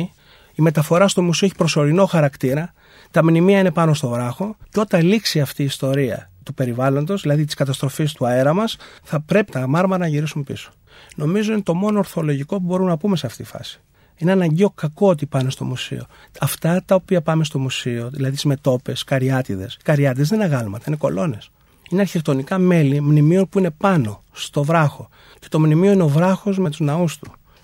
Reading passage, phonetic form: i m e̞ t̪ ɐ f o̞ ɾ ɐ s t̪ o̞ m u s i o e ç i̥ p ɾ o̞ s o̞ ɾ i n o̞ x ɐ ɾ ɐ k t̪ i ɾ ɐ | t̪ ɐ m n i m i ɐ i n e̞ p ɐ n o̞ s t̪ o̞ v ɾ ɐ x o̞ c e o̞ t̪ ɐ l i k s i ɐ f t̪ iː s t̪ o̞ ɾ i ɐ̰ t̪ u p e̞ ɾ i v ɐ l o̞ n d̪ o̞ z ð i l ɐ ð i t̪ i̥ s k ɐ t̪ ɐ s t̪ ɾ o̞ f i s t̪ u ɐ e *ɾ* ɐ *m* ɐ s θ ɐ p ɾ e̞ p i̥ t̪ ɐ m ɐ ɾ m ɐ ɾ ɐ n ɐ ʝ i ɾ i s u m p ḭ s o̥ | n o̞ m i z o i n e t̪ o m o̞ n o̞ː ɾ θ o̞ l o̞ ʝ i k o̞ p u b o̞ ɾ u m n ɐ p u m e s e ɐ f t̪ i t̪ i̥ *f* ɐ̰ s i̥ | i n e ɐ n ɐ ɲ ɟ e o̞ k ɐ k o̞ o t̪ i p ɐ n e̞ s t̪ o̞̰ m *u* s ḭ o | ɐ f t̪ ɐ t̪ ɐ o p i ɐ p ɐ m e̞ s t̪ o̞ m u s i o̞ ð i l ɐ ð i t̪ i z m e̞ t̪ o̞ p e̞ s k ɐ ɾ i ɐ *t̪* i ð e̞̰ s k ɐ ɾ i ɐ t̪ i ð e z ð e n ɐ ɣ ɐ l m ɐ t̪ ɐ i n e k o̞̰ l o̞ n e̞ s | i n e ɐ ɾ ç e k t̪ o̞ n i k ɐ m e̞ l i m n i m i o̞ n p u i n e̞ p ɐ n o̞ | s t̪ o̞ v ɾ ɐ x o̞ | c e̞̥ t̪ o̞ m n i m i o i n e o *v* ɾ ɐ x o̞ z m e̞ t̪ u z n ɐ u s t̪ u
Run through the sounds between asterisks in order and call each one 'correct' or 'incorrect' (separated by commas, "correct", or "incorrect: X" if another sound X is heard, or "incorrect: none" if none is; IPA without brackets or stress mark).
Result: correct, correct, correct, correct, correct, correct